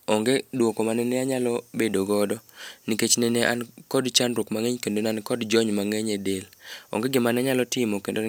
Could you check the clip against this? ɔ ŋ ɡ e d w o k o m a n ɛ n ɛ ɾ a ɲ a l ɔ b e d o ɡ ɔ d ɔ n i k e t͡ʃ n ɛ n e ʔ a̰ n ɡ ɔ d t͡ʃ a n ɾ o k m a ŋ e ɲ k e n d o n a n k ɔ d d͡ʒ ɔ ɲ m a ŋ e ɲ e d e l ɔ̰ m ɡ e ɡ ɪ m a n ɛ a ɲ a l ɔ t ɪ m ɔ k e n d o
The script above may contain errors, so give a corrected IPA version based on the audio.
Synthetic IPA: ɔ ŋ ɡ e d w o k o m a n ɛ n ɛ a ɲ a l ɔ b e d o ɡ ɔ d ɔ n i k e t͡ʃ n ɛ n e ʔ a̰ n k ɔ d t͡ʃ a n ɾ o k m a ŋ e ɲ k e n d o n a n k ɔ d d͡ʒ ɔ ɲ m a ŋ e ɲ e d e l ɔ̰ ŋ ɡ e ɡ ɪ m a n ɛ a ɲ a l ɔ t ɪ m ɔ k e n d o